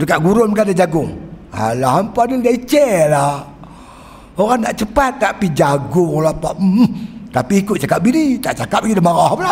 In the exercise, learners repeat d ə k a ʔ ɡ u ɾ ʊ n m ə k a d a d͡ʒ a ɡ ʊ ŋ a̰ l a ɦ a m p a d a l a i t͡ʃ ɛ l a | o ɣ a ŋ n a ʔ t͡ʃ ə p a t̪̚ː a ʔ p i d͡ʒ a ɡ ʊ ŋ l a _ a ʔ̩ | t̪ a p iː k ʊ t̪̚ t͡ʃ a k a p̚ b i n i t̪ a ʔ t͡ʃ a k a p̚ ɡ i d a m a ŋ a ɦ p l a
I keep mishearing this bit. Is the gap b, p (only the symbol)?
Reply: p